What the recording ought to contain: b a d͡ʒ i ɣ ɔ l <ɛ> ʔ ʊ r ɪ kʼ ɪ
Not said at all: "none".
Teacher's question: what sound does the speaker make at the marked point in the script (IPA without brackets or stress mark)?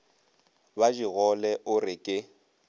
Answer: ɛ